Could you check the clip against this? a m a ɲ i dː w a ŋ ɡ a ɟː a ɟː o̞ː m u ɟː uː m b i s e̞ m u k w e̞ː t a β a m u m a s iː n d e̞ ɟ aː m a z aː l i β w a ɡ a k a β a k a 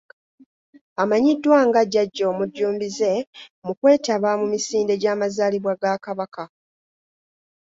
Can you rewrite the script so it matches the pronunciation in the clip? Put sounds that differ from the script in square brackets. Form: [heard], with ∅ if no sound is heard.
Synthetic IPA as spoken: a m a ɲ i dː w a ŋ ɡ a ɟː a ɟː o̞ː m u ɟː uː m b i [z] e̞ m u k w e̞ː t a β a m u m [i] s iː n d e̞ ɟ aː m a z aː l i β w a ɡ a k a β a k a